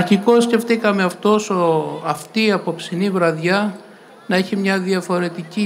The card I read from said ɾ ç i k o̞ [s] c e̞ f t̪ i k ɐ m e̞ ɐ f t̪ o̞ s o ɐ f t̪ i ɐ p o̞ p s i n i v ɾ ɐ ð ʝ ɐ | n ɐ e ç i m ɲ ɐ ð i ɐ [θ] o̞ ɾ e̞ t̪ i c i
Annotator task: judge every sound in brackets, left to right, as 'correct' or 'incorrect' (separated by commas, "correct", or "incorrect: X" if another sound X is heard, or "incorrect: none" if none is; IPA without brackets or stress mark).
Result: correct, incorrect: f